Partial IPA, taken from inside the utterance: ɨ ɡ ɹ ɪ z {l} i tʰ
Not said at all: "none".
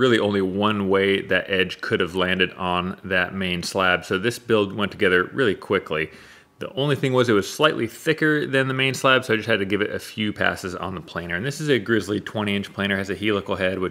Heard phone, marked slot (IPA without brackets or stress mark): l